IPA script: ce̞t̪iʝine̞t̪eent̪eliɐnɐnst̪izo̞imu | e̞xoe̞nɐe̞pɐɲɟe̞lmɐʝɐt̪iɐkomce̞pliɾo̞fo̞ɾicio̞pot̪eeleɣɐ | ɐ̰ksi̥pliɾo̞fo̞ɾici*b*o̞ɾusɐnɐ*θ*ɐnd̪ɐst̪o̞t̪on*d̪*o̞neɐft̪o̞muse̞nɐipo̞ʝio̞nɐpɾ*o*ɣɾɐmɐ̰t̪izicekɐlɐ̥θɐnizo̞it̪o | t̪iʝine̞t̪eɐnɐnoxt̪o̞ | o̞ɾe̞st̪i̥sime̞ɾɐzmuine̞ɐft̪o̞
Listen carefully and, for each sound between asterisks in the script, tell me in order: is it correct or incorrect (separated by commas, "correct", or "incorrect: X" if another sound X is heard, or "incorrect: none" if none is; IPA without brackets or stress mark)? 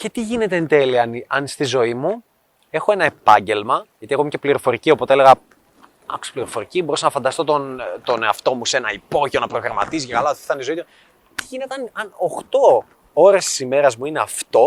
correct, incorrect: f, incorrect: t̪, correct